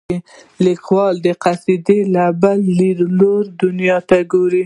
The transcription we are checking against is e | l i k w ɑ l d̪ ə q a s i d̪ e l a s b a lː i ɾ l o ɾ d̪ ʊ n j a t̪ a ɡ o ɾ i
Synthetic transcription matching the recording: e | l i k w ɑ l d̪ ə q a s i d̪ e l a b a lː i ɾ l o ɾ d̪ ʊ n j ɑ t̪ a ɡ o ɾ i